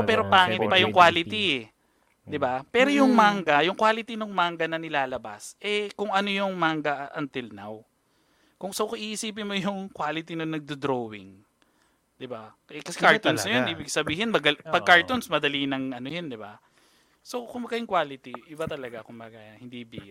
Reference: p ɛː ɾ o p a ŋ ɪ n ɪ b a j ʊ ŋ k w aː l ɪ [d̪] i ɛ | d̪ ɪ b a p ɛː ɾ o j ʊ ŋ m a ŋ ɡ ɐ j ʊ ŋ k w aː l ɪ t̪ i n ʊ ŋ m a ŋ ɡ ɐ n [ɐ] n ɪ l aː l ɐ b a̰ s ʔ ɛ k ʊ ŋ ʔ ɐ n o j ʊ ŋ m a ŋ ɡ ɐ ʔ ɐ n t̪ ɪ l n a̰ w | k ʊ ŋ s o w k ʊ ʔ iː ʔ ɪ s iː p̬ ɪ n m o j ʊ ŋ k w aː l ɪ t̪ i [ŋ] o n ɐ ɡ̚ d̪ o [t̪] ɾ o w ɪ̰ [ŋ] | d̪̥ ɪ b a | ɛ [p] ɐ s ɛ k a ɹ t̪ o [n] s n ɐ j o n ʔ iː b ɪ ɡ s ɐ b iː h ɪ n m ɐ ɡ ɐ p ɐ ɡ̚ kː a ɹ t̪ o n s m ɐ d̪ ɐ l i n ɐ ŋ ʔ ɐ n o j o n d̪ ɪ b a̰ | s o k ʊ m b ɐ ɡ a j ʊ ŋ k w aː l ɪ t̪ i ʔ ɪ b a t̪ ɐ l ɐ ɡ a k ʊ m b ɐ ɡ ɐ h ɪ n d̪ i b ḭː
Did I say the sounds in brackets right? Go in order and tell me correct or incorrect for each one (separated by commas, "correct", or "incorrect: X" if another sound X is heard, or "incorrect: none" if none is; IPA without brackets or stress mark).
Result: incorrect: t̪, correct, incorrect: n, incorrect: d̪, correct, incorrect: k, correct